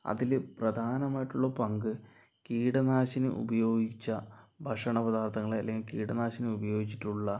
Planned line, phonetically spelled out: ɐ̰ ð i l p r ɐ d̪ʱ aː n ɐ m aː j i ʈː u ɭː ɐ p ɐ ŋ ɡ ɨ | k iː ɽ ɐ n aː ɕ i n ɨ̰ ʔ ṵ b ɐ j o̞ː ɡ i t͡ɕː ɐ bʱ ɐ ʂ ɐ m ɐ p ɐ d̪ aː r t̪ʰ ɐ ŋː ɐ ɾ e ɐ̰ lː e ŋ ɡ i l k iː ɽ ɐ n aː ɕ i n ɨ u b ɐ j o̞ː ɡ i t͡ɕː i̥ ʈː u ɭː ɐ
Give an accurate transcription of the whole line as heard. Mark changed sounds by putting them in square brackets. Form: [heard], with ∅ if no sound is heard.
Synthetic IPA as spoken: ɐ̰ ð i l p r ɐ d̪ʱ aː n ɐ m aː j i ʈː u ɭː ɐ p ɐ ŋ ɡ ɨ | k iː ɽ ɐ n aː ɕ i n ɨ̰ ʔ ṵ b ɐ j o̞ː ɡ i t͡ɕː ɐ bʱ ɐ ʂ ɐ [ɳ] ɐ p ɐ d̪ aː r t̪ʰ ɐ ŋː ɐ [ɭ] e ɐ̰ lː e ŋ ɡ i l k iː ɽ ɐ n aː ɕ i n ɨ u b ɐ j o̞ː ɡ i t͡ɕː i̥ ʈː u ɭː ɐ

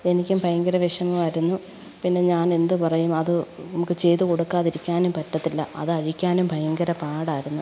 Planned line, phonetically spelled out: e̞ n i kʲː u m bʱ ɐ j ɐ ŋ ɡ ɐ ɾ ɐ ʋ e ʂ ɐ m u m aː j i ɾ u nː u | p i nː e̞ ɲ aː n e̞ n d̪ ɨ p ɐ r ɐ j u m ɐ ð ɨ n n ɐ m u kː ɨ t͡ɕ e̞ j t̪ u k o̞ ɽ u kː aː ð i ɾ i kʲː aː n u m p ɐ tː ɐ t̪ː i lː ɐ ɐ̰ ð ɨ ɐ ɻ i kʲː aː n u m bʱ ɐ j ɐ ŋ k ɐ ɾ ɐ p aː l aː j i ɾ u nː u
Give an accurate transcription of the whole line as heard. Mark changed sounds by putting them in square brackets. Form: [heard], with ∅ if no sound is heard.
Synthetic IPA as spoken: e̞ n i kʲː u m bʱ ɐ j ɐ ŋ ɡ ɐ ɾ ɐ ʋ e ʂ ɐ m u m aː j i ɾ u nː u | p i nː e̞ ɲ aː n e̞ n d̪ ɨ p ɐ r ɐ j u m ɐ ð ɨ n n ɐ m u kː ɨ t͡ɕ e̞ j t̪ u k o̞ ɽ u kː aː ð i ɾ i kʲː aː n u m p ɐ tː ɐ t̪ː i lː ɐ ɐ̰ ð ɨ ɐ ɻ i kʲː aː n u m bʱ ɐ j ɐ ŋ [ɡ] ɐ ɾ ɐ p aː [ɽ] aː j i ɾ u nː u

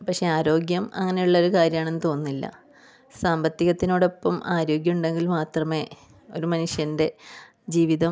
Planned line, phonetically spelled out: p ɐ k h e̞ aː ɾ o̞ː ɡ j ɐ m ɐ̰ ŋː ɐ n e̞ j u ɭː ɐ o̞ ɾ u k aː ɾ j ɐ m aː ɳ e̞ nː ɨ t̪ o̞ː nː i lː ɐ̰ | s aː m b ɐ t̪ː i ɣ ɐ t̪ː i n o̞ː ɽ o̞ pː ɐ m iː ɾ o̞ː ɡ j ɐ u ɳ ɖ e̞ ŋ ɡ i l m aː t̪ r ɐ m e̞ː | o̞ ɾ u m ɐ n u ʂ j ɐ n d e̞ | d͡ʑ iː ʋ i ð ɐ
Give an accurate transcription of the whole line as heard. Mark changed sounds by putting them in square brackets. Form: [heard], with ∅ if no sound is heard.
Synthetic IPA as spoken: p ɐ k [ʂ] e̞ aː ɾ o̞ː ɡ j ɐ m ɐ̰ ŋː ɐ n e̞ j u ɭː ɐ o̞ ɾ u k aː ɾ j ɐ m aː ɳ e̞ nː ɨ t̪ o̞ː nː i lː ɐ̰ | s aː m b ɐ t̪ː i ɣ ɐ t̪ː i n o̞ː ɽ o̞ pː ɐ m [aː] ɾ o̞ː ɡ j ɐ u ɳ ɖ e̞ ŋ ɡ i l m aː t̪ r ɐ m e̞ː | o̞ ɾ u m ɐ n u ʂ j ɐ n d e̞ | d͡ʑ iː ʋ i ð ɐ

